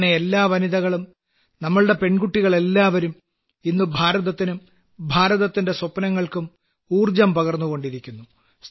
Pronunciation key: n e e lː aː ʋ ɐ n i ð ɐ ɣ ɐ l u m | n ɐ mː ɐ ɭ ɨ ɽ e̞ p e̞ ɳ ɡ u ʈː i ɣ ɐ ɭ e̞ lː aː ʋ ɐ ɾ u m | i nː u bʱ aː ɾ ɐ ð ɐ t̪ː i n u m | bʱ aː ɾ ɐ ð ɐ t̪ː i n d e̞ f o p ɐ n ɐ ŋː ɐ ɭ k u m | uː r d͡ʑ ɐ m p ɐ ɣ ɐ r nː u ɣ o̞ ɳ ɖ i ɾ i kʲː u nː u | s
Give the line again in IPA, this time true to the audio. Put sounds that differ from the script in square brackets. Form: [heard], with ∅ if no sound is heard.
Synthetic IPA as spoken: n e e lː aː ʋ ɐ n i ð ɐ ɣ ɐ [ɭ] u m | n ɐ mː ɐ ɭ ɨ ɽ e̞ p e̞ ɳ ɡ u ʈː i ɣ ɐ ɭ e̞ lː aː ʋ ɐ ɾ u m | i nː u bʱ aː ɾ ɐ ð ɐ t̪ː i n u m | bʱ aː ɾ ɐ ð ɐ t̪ː i n d e̞ [s] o p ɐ n ɐ ŋː ɐ ɭ k u m | uː r d͡ʑ ɐ m p ɐ ɣ ɐ r nː u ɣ o̞ ɳ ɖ i ɾ i kʲː u nː u | s